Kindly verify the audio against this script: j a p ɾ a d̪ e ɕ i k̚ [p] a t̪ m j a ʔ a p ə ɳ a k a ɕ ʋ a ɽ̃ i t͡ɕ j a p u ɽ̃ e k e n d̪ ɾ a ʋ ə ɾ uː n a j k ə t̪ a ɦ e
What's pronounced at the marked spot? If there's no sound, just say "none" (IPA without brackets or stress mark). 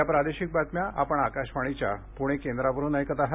b